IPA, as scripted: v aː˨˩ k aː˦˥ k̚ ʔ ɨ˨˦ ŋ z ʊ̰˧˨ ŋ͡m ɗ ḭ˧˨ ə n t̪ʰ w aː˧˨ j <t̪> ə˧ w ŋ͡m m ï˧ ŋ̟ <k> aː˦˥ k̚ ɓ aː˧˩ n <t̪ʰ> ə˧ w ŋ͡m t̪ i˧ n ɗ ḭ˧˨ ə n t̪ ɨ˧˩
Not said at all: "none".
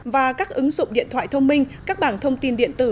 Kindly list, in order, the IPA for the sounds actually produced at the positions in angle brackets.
t̪ʰ, k, t̪ʰ

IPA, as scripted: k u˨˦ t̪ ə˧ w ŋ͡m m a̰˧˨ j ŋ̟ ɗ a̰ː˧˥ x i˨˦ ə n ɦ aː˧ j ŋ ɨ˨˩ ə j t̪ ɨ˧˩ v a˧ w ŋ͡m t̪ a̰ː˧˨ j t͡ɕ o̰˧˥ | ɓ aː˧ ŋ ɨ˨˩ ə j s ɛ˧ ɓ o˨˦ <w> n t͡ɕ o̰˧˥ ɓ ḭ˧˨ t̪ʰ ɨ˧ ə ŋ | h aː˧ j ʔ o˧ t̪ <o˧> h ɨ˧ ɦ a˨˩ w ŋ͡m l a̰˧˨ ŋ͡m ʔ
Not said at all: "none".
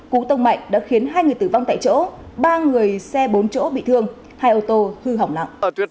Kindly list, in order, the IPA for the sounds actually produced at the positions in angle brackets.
none, o˧

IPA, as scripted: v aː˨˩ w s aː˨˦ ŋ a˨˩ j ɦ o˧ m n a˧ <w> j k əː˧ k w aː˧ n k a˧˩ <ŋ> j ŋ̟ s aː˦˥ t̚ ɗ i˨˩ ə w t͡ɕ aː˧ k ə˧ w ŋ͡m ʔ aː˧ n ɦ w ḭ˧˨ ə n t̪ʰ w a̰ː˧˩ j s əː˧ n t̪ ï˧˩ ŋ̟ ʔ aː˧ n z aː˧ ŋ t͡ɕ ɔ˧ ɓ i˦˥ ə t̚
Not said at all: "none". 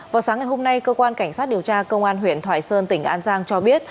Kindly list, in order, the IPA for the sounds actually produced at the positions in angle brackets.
none, none

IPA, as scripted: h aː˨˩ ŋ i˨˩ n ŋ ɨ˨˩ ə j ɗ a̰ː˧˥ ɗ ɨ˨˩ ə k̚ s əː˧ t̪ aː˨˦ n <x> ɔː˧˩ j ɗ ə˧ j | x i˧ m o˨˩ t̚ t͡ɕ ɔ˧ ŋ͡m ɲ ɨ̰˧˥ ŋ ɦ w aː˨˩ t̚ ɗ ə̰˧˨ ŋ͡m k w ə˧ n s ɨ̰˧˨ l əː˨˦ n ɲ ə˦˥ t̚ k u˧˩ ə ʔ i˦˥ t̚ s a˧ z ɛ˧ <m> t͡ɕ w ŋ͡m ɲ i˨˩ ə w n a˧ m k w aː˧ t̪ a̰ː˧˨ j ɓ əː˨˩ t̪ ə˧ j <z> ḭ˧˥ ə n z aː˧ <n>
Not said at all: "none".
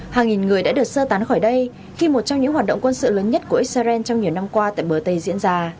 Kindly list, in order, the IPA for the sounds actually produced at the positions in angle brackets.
x, n, z, none

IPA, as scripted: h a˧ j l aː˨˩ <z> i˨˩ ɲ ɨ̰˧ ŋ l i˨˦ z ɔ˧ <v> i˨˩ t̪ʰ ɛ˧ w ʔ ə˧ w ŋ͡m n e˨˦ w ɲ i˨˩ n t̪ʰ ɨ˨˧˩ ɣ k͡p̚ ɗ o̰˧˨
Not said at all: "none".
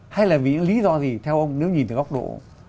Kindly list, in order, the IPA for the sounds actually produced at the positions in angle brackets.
v, z

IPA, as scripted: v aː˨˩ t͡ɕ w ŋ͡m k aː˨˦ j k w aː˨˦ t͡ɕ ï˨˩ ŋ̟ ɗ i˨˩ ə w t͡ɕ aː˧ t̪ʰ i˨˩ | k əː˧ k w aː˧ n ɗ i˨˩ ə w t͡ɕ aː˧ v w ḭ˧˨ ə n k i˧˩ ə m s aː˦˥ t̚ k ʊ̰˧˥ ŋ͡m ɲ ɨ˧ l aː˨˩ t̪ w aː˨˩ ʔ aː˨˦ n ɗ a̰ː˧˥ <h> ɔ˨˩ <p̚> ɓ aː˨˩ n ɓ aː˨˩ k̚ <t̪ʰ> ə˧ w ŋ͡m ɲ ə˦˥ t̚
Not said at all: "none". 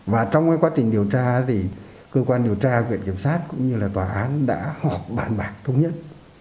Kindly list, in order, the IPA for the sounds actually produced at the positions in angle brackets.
h, p̚, t̪ʰ

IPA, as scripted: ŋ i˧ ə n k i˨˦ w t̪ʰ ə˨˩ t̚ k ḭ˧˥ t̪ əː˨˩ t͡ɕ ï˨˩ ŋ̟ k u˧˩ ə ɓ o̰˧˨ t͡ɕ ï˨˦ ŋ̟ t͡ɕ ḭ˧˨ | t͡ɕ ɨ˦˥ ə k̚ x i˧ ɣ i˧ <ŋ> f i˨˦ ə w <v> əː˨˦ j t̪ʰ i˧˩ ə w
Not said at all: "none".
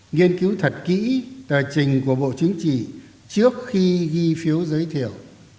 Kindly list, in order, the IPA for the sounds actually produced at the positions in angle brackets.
none, z

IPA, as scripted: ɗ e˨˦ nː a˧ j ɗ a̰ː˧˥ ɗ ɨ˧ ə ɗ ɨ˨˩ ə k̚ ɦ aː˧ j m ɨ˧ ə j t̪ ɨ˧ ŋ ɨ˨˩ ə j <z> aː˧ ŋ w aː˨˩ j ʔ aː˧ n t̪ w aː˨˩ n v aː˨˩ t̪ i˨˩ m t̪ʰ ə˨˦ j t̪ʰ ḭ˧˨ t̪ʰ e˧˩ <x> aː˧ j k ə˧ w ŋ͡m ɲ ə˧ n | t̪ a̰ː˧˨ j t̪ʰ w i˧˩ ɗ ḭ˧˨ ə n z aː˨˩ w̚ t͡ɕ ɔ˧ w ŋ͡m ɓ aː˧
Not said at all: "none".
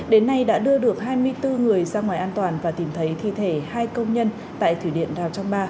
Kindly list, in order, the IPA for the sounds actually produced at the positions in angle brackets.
z, h

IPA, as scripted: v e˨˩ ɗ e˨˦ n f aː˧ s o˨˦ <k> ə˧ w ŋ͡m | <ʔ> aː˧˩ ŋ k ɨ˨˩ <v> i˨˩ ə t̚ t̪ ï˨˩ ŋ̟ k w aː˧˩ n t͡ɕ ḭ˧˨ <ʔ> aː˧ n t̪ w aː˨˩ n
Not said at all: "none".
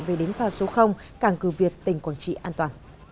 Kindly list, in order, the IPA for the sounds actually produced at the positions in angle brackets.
x, k, v, ʔ

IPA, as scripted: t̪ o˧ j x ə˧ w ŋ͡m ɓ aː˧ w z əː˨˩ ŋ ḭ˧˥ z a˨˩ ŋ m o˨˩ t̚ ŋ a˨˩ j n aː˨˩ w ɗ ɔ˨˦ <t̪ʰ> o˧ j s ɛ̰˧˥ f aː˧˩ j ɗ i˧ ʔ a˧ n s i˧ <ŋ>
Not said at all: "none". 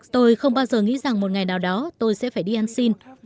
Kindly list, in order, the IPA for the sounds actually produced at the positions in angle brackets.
t̪, n

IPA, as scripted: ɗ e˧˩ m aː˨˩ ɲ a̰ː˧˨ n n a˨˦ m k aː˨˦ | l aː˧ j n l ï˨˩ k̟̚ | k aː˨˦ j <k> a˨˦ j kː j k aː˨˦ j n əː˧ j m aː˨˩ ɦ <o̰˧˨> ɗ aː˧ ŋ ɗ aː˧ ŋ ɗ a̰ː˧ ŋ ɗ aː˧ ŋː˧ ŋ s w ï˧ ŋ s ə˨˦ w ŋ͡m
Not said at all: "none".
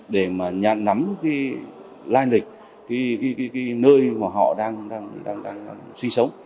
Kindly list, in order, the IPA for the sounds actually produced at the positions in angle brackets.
k, ɔ̰˧˨

